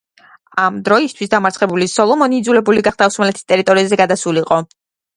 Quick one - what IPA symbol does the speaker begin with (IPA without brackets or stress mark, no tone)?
a